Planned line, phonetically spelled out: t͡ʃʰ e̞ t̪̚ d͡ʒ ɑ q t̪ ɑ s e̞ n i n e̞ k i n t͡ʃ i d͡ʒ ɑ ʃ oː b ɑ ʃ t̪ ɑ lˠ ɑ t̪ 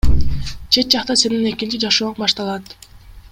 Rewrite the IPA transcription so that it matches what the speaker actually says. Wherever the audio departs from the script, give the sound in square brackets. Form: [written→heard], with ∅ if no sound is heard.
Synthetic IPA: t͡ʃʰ e̞ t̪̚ d͡ʒ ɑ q t̪ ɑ s e̞ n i n e̞ k i n t͡ʃ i d͡ʒ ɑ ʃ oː b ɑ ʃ t̪ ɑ lˠ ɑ t̪